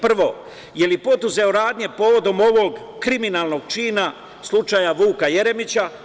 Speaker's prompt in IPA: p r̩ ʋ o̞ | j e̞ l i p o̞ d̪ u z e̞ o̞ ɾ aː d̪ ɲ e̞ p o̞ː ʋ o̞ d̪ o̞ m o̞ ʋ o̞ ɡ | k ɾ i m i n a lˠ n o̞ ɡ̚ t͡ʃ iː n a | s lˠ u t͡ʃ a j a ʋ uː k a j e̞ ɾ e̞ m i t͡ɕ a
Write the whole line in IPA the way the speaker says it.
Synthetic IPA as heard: p r̩ ʋ o̞ | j e̞ l i p o̞ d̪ u z e̞ o̞ ɾ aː d̪ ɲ e̞ p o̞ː ʋ o̞ d̪ o̞ m o̞ ʋ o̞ ɡ | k ɾ i m i n a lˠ n o̞ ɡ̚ t͡ʃ iː n a | s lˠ u t͡ʃ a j a ʋ uː k a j e̞ ɾ e̞ m i t͡ɕ a